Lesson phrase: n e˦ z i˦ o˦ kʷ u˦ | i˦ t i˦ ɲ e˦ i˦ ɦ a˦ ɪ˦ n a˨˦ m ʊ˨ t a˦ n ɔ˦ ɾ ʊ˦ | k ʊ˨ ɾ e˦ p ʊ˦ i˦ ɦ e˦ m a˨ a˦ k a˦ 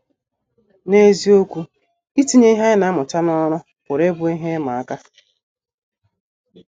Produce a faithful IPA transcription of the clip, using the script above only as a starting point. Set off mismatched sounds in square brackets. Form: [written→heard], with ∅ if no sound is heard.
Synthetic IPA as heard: n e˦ z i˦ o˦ kʷ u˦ | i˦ t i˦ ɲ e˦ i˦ ɦ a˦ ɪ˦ n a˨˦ m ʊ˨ t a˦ n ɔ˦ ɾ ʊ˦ | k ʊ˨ ɾ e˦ [p→b] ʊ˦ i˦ ɦ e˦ m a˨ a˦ k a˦